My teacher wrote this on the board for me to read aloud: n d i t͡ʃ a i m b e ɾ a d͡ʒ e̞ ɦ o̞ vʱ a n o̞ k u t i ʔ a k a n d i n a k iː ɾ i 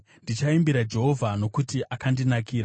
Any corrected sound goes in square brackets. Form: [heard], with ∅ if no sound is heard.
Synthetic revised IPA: n d i t͡ʃ a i m b [i] ɾ a d͡ʒ e̞ ɦ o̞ vʱ a n o̞ k u t i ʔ a k a n d i n a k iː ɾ [a]